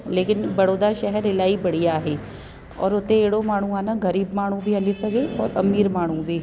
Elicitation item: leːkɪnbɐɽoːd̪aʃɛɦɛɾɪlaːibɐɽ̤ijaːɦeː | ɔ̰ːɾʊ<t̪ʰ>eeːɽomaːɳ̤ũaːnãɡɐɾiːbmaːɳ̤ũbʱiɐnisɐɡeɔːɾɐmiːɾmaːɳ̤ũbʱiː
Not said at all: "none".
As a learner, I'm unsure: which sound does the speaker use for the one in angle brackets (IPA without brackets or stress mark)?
t̪